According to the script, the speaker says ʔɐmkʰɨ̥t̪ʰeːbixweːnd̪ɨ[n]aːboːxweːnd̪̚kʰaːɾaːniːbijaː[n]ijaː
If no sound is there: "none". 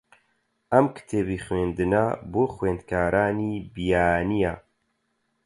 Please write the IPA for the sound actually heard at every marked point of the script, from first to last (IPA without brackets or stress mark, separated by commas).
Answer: n, n